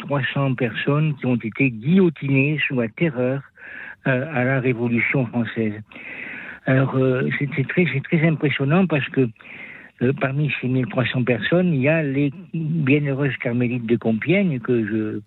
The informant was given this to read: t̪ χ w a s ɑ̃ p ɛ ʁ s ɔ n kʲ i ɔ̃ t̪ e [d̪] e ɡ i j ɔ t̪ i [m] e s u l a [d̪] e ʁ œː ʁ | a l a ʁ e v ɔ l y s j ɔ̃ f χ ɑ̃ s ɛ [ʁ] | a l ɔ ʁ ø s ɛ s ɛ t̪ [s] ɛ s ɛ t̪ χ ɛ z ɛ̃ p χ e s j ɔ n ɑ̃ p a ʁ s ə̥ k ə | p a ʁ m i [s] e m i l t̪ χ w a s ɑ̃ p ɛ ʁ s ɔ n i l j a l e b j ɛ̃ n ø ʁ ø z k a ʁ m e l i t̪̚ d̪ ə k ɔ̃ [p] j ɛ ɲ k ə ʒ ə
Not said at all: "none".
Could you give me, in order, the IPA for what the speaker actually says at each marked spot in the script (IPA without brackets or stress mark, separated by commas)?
t̪, n, t̪, z, χ, s, p